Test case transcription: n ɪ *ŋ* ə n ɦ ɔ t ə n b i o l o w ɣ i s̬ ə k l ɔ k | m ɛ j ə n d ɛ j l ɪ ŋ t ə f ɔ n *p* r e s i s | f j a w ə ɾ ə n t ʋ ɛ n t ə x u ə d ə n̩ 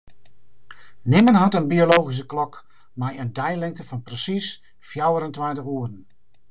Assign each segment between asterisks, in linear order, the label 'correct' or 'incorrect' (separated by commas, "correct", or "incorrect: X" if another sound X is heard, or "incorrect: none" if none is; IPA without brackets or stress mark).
incorrect: m, correct